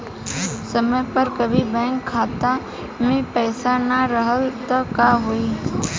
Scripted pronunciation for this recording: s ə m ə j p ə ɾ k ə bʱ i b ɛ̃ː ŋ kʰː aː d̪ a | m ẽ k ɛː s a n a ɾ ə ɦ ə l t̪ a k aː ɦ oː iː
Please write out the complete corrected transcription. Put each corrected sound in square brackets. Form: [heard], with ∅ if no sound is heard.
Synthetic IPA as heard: s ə m ə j p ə ɾ k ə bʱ i b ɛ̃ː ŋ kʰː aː [t̪] a | m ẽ [p] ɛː s a n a ɾ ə ɦ ə l t̪ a k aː ɦ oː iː